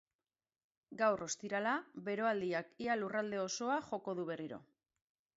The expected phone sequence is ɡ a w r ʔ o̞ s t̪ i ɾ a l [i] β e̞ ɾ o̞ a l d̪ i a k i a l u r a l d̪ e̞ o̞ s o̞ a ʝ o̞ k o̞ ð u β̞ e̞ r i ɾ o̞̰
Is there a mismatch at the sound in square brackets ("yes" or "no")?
yes